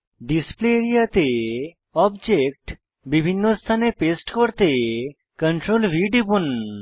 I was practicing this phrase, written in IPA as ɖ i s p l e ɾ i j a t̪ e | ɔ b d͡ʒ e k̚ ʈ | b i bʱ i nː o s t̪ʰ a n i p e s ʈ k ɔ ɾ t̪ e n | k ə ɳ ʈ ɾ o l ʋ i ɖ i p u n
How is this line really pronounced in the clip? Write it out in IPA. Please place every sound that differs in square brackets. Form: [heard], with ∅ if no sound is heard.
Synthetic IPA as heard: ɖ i s p l e ɾ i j a t̪ e | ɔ b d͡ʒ e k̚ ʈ | b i bʱ i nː o s t̪ʰ a n [e] p e s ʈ k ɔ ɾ t̪ e [∅] | k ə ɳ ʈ ɾ o l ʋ i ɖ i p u n